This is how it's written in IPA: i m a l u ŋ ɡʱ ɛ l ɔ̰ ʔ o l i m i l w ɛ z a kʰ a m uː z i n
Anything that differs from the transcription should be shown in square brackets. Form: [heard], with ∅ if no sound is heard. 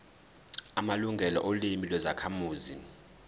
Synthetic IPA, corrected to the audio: [a] m a l u ŋ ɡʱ ɛ l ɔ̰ ʔ o l i m i l w ɛ z a kʰ a m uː z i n